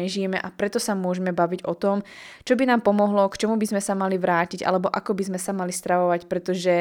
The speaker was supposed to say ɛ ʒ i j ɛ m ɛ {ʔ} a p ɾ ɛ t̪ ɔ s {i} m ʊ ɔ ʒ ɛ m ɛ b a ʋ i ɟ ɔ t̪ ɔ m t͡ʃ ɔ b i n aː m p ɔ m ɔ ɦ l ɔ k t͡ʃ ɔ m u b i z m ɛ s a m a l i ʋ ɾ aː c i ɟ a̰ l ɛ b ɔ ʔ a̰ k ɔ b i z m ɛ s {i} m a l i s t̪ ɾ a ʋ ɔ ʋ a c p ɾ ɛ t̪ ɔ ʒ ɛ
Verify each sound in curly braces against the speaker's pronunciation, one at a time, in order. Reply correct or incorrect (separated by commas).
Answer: correct, incorrect, incorrect